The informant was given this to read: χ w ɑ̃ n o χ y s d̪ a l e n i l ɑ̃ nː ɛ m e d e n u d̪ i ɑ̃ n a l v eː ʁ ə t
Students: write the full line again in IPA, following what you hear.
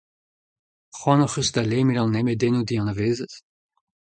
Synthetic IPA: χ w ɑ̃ n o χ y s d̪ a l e m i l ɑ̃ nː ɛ m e d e n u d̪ i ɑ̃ n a v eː z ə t